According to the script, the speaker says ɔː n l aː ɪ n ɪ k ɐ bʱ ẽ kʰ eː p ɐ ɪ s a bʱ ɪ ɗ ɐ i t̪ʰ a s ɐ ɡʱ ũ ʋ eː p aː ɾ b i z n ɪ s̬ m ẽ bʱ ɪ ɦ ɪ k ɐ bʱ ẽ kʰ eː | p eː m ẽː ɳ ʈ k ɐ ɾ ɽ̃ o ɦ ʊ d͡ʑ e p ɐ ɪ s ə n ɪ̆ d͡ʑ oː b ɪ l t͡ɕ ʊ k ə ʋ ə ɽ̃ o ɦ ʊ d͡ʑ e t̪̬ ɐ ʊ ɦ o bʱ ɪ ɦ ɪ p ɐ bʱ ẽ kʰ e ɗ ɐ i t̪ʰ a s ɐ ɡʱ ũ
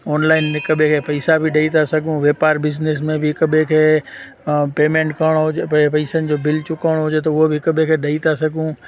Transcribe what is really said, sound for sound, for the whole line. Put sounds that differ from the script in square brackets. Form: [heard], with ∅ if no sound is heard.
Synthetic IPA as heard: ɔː n l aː ɪ n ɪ k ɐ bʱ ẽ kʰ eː p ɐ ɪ s a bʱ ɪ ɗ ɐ i t̪ʰ a s ɐ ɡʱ ũ ʋ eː p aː ɾ b [ɪ] z n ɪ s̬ m ẽ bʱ ɪ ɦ ɪ k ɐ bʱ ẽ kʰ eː | p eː m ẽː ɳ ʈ k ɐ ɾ ɽ̃ o ɦ ʊ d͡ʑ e p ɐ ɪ s ə n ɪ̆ d͡ʑ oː b ɪ l t͡ɕ ʊ k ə ʋ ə ɽ̃ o ɦ ʊ d͡ʑ e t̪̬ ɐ ʊ ɦ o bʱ ɪ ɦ ɪ [k] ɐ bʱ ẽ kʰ e ɗ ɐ i t̪ʰ a s ɐ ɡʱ ũ